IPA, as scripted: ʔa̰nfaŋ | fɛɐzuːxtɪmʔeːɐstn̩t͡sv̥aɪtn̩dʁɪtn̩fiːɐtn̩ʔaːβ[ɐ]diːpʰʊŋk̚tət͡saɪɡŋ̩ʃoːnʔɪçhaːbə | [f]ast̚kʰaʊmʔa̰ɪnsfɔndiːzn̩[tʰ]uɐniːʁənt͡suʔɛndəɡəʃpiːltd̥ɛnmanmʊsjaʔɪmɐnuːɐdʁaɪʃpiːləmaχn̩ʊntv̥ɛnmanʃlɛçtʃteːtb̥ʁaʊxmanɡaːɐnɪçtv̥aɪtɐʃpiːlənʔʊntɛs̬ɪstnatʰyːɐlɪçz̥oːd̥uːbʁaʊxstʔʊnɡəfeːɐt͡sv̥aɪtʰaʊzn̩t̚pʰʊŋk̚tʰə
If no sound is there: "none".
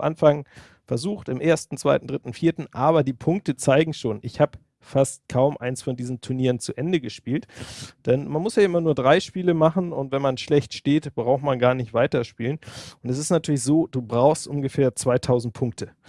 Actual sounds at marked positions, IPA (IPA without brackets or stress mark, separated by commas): ɐ, f, tʰ